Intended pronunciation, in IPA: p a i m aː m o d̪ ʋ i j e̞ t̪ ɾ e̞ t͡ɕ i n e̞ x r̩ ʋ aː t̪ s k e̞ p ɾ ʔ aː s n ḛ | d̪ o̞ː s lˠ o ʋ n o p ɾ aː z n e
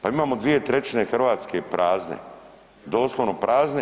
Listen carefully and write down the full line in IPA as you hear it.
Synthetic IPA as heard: p a i m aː m o d̪ ʋ i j e̞ t̪ ɾ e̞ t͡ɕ i n e̞ x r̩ ʋ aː t̪ s k e̞ p ɾ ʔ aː z n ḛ | d̪ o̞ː s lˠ o ʋ n o p ɾ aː z n e

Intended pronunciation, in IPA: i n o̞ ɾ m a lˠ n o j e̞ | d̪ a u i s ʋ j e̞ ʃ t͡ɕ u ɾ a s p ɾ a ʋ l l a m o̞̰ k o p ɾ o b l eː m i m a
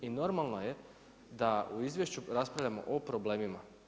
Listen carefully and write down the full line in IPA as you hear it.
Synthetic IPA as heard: i n o̞ ɾ m a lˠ n o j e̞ | d̪ a u i z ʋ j e̞ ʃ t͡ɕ u ɾ a s p ɾ a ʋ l ʎ a m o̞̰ ʔ o p ɾ o b l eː m i m a

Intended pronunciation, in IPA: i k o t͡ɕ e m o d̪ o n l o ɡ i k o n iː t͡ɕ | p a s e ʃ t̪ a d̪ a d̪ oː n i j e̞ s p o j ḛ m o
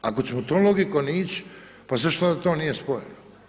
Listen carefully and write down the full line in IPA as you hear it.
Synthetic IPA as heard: a k o t͡ɕ e m o t̪ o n l o ɡ i k o n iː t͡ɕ | p a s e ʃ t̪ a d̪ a t̪ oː n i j e̞ s p o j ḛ n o

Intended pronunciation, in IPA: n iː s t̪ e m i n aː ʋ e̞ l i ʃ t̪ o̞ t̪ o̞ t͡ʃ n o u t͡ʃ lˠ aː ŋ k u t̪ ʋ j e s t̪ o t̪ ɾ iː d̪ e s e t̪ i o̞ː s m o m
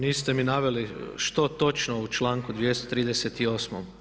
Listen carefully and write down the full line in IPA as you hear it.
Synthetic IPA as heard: n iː s t̪ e m i n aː ʋ e̞ l i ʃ t̪ o̞ t̪ o̞ t͡ʃ n o u t͡ʃ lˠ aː ŋ k u d̪ ʋ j e s t̪ o t̪ ɾ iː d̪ e s e t̪ i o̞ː s m o m

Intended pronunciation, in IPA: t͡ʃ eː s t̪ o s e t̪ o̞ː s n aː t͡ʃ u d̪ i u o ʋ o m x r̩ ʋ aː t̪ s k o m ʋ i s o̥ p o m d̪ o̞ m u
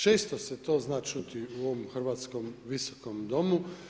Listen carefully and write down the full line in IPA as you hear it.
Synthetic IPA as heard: t͡ʃ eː s t̪ o s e t̪ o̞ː z n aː t͡ʃ u t̪ i u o ʋ o m x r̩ ʋ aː t̪ s k o m ʋ i s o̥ k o m d̪ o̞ m u

